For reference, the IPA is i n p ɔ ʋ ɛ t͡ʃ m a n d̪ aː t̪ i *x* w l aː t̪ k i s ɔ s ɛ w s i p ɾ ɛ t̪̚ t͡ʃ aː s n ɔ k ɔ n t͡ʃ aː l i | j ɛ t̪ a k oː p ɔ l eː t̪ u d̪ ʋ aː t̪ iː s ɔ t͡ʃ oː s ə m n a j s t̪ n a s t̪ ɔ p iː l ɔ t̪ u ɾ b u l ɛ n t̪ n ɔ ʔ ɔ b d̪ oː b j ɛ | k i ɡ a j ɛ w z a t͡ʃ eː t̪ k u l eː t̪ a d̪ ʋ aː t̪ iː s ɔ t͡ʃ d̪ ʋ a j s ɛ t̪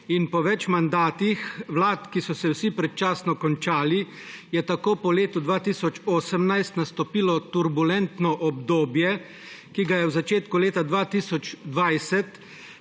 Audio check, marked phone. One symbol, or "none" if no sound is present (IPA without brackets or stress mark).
x